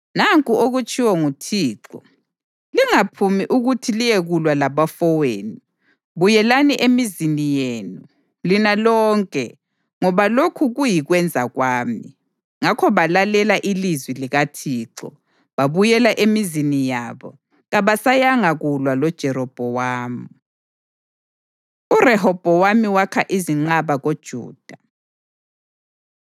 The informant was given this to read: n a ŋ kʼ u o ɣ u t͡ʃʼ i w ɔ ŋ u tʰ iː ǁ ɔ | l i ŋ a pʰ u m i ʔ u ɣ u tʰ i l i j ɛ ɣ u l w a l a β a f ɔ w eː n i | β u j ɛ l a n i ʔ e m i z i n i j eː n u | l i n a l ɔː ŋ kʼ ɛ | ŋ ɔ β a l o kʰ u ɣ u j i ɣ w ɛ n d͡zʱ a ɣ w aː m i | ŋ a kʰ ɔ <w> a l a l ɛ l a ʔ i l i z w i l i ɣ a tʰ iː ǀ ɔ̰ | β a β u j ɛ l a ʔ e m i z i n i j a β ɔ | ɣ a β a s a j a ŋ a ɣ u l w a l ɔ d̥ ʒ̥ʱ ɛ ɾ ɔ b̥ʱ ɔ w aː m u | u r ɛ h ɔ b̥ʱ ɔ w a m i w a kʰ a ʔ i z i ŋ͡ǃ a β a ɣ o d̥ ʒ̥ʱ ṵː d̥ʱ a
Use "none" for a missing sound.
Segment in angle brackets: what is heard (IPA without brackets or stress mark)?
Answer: β